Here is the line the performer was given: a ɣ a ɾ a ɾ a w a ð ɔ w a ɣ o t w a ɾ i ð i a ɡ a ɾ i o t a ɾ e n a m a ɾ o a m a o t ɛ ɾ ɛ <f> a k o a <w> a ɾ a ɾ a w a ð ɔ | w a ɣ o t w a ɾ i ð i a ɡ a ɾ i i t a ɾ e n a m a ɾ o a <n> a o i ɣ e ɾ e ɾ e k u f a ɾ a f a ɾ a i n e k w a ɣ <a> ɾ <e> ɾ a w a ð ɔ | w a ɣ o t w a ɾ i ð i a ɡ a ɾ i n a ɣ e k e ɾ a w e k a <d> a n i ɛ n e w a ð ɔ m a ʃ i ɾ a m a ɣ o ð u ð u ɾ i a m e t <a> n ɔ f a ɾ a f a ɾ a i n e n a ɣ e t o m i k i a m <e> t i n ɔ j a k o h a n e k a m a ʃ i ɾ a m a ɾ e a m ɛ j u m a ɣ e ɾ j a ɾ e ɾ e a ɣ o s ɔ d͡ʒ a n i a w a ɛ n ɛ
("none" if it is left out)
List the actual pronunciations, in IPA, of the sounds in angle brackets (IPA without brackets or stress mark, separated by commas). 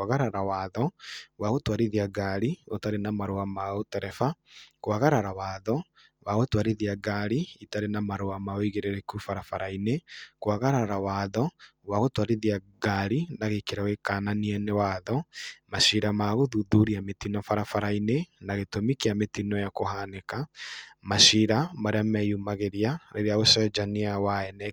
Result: f, ɣ, m, a, a, n, i, e